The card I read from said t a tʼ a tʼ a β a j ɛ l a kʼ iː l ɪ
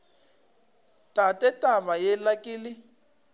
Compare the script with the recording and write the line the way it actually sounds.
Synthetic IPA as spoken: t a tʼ ɛ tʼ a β a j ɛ l a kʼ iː l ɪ